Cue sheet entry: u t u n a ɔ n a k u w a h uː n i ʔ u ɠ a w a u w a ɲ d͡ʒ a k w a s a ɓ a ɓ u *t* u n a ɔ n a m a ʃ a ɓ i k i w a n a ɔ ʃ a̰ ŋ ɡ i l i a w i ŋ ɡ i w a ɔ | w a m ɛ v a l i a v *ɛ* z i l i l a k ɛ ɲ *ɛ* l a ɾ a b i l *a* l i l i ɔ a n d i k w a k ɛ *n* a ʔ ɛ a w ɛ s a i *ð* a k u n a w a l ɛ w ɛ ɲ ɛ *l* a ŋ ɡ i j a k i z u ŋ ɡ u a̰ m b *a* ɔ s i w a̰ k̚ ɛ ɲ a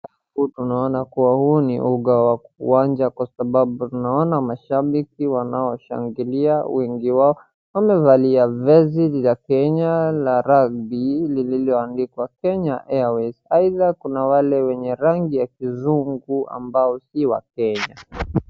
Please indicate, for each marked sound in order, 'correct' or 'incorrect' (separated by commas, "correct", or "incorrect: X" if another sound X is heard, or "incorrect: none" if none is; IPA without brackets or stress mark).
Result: correct, correct, incorrect: a, incorrect: i, incorrect: ɲ, correct, incorrect: ɾ, correct